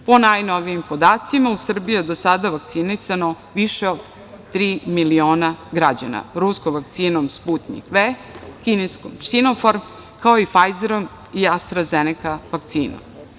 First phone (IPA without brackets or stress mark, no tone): p